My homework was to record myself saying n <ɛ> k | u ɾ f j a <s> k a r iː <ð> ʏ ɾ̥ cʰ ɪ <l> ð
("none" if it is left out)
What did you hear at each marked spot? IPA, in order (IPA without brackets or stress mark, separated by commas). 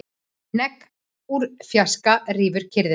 ɛ, s, v, ɾ